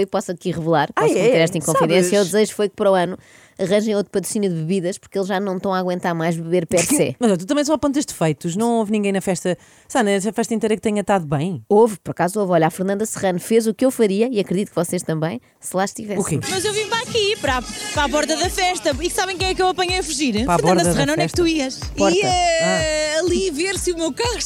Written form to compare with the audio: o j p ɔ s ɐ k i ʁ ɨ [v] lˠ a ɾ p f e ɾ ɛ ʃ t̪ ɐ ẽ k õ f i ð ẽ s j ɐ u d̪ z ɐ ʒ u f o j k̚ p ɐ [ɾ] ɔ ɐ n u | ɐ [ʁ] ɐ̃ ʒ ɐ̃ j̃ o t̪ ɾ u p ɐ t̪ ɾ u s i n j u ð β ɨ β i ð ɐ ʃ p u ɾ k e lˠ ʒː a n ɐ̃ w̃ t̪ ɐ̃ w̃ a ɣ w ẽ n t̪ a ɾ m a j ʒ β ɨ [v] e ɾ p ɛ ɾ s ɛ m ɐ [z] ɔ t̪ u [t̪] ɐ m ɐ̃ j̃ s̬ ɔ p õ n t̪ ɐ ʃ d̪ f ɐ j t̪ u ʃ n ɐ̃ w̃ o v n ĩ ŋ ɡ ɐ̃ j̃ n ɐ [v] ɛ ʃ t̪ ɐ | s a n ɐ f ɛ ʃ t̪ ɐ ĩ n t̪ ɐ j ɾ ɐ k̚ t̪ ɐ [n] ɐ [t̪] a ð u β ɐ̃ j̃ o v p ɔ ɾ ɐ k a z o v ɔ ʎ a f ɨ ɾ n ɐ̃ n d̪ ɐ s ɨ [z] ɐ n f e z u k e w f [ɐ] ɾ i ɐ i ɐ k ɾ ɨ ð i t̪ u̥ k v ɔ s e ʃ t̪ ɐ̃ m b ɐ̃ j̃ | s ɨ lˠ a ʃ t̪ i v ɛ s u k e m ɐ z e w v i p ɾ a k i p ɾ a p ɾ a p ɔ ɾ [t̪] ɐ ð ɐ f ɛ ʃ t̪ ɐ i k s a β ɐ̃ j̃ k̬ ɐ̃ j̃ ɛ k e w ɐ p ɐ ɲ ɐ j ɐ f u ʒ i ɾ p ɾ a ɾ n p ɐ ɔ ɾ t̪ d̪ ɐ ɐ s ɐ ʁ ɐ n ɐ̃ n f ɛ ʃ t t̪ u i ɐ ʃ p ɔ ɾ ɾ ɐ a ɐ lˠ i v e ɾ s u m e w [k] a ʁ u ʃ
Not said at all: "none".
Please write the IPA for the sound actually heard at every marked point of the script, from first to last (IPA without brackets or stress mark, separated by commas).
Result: v, ɾ, ʁ, β, z, t̪, f, ɲ, t̪, ʁ, ɐ, t̪, k